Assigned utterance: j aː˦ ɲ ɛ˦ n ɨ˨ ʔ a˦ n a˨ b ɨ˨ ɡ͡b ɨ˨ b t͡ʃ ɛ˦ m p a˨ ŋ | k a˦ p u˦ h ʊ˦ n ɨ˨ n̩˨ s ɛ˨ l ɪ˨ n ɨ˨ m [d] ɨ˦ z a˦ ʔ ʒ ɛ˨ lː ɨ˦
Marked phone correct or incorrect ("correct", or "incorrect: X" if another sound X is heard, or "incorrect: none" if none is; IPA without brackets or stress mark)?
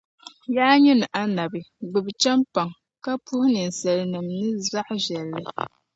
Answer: incorrect: n